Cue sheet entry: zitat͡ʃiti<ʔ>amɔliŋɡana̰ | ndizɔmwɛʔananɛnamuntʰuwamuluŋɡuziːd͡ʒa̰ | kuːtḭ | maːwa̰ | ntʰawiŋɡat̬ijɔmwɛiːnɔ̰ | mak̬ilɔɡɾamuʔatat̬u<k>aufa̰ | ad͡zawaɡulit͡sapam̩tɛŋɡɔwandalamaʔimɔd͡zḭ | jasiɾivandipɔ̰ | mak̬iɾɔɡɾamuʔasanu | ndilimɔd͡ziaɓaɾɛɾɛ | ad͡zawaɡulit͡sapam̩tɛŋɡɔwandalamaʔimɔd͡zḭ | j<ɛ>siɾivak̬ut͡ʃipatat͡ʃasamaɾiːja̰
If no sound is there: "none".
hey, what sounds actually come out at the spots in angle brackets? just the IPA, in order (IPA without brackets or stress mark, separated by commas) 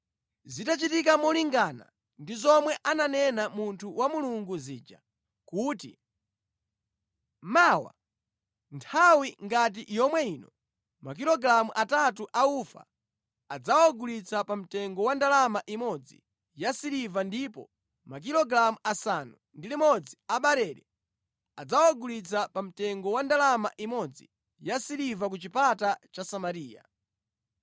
k, ʔ, a